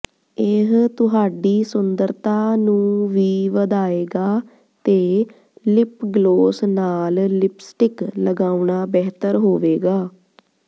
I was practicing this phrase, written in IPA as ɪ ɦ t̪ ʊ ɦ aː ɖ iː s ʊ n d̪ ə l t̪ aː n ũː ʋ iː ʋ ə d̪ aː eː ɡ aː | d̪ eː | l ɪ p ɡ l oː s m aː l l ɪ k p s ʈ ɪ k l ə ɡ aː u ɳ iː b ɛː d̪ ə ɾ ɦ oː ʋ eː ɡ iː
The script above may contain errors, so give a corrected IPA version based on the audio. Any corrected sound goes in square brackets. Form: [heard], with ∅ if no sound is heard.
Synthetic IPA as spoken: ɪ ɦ t̪ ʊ ɦ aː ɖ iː s ʊ n d̪ ə [ɾ] t̪ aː n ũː ʋ iː ʋ ə d̪ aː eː ɡ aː | [t̪] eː | l ɪ p ɡ l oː s [n] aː l l ɪ [∅] p s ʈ ɪ k l ə ɡ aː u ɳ [aː] b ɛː [t̪] ə ɾ ɦ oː ʋ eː ɡ [aː]